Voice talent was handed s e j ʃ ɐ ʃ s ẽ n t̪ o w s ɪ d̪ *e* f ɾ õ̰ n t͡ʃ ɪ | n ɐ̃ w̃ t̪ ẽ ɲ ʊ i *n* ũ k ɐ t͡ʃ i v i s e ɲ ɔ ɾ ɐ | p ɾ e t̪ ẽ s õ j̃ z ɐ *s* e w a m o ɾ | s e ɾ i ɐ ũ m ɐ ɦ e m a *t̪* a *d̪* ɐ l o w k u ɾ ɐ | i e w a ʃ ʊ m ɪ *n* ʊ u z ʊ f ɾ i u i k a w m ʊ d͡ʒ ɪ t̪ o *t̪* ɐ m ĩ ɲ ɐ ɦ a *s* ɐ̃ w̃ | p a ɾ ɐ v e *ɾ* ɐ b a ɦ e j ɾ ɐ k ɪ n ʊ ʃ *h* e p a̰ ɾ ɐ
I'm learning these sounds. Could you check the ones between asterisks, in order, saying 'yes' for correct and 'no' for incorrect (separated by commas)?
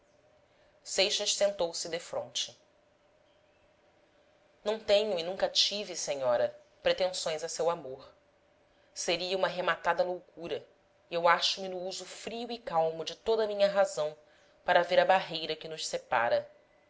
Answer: yes, yes, yes, yes, yes, yes, no, no, yes, no